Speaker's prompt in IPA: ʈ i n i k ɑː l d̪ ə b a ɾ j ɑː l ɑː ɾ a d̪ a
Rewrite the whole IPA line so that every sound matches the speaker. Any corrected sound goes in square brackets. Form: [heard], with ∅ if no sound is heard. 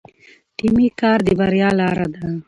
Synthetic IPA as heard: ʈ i [m] i k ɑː [ɾ] d̪ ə b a ɾ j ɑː l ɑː ɾ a d̪ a